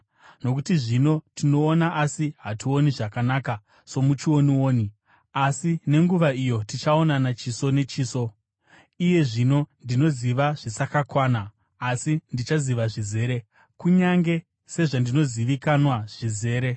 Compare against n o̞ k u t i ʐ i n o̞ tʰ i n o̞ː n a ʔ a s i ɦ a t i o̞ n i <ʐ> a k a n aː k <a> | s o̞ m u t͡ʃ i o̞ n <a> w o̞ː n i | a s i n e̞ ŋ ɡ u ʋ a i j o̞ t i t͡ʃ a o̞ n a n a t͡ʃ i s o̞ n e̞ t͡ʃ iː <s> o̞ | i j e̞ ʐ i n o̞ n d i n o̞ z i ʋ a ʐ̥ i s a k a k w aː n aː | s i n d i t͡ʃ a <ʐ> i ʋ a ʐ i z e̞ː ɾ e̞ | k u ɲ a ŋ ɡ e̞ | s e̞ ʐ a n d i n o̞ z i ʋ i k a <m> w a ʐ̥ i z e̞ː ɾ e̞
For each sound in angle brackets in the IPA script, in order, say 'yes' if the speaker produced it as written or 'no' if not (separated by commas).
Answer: yes, yes, no, yes, no, no